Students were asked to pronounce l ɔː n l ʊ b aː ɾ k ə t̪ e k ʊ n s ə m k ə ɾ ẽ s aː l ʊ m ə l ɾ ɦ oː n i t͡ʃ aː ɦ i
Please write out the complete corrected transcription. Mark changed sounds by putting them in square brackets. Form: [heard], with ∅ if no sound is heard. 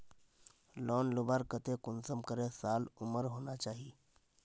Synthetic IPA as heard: l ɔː n l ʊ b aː ɾ k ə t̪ e k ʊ n s ə m k ə ɾ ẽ s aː l ʊ m ə [∅] ɾ ɦ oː n [a] t͡ʃ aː ɦ i